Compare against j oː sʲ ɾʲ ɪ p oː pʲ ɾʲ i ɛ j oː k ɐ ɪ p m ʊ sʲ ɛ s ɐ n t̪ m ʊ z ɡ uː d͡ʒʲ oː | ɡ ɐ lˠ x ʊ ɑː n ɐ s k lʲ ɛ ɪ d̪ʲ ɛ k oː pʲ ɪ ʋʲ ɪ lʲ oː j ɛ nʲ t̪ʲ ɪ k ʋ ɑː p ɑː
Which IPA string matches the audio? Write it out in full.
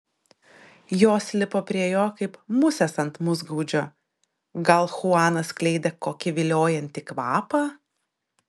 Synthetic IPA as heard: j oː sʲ lʲ ɪ p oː pʲ ɾʲ i ɛ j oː k ɐ ɪ p m ʊ sʲ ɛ s ɐ n t̪ m ʊ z ɡ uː d͡ʒʲ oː | ɡ ɐ lˠ x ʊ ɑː n ɐ s k lʲ ɛ ɪ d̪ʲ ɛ k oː kʲ ɪ ʋʲ ɪ lʲ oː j ɛ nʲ t̪ʲ ɪ k ʋ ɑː p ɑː